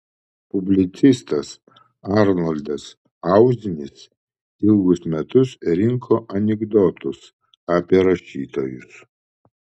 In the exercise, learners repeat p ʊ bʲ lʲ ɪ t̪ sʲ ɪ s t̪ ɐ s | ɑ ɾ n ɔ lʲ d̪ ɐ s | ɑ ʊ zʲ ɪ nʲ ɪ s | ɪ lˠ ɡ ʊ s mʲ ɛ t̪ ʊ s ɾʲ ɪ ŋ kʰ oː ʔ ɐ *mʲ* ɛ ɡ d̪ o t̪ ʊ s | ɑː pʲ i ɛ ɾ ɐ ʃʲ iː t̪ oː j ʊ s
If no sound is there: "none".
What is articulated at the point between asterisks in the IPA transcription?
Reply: nʲ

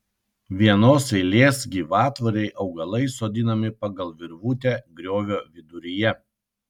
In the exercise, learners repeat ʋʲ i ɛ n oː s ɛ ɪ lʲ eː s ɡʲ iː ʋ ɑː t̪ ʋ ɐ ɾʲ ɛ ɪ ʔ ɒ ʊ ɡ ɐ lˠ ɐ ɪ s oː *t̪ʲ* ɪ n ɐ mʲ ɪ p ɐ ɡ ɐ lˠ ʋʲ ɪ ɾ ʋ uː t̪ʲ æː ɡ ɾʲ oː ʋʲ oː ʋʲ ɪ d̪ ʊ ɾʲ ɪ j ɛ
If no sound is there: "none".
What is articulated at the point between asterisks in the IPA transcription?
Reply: d̪ʲ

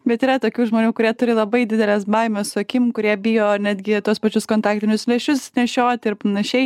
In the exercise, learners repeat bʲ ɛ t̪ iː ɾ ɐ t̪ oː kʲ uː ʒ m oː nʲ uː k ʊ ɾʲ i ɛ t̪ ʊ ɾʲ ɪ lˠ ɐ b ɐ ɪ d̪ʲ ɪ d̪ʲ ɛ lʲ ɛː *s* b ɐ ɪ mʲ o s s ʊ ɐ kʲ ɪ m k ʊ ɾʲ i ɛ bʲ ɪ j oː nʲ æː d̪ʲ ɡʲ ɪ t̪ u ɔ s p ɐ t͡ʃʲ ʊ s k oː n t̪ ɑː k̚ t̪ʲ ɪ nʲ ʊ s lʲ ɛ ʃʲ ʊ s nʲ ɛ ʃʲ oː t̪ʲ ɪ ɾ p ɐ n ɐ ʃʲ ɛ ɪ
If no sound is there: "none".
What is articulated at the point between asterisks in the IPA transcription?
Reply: s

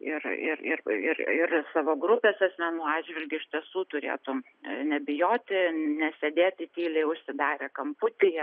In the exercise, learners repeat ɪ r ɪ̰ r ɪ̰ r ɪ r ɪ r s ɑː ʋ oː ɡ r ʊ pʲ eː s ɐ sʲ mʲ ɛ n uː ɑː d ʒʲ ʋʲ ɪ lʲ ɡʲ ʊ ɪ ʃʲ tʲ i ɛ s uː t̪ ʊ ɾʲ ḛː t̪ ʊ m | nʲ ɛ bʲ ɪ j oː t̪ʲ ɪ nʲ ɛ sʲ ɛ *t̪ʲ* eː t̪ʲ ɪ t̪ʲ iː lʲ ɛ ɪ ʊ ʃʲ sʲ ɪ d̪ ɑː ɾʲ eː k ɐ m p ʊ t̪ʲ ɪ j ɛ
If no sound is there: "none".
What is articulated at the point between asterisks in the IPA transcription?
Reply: d̪ʲ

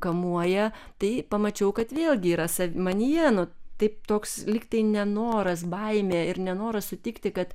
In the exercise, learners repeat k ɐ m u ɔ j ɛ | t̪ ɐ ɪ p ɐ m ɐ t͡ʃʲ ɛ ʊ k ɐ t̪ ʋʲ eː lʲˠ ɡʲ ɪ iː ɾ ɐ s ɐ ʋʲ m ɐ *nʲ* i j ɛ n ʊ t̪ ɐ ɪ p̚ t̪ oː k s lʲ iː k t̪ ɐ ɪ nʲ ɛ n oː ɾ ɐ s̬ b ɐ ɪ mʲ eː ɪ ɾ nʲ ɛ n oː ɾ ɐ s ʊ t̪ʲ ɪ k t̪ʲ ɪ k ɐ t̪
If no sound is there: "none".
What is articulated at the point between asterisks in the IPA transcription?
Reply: nʲ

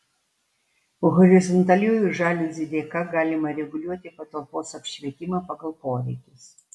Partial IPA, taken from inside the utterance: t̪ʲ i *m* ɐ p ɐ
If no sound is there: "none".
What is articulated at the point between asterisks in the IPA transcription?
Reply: m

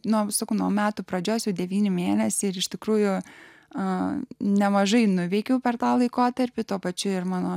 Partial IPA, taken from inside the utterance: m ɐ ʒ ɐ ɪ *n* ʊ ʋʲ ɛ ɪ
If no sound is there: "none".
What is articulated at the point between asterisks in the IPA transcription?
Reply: n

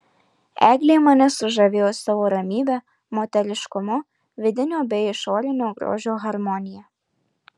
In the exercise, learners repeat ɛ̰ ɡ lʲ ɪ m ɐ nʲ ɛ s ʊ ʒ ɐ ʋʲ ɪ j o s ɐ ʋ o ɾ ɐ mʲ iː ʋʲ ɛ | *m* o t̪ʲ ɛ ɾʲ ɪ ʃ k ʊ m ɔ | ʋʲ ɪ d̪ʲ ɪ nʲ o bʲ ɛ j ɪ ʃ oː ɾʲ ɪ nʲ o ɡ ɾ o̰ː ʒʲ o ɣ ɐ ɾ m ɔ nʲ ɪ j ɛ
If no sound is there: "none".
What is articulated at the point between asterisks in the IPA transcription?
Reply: m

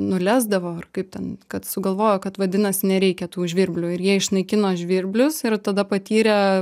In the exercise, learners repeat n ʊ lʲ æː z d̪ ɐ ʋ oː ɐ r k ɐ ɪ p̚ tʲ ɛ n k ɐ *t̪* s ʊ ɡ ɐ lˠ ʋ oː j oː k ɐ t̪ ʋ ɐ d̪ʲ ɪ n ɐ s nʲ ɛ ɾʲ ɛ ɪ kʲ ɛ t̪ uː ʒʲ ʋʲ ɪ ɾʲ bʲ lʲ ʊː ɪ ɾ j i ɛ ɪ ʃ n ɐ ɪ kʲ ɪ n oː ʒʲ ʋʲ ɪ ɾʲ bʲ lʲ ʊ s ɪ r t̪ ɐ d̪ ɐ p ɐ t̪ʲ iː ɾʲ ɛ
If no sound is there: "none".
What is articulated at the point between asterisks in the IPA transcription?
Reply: t̪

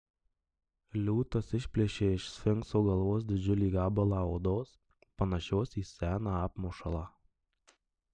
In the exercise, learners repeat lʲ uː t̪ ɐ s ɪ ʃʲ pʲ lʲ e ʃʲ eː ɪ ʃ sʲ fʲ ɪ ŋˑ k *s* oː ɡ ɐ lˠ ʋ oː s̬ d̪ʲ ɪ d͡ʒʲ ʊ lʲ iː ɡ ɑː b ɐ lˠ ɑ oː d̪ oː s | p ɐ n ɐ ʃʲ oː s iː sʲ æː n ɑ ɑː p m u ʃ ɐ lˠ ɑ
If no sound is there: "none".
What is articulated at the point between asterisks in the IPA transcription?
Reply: s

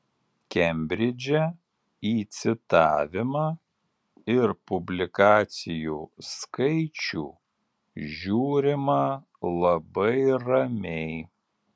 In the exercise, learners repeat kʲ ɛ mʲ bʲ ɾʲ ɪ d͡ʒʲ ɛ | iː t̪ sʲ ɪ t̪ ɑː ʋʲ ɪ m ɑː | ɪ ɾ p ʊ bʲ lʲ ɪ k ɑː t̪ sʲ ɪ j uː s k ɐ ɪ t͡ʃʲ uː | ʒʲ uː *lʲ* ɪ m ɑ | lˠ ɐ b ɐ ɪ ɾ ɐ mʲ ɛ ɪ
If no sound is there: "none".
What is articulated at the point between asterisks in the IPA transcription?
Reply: ɾʲ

